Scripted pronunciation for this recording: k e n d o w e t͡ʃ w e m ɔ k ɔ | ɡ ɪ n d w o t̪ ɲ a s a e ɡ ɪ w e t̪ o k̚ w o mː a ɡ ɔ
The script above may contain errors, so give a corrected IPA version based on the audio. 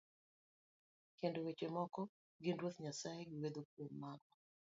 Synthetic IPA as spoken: k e n d o w e t͡ʃ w e m ɔ k ɔ | ɡ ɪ n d w o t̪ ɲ a s a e ɡ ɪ w e d̪ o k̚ w o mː a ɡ ɔ